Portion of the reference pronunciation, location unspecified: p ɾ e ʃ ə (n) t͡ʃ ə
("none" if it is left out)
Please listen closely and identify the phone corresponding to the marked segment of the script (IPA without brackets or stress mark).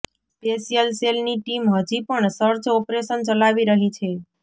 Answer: n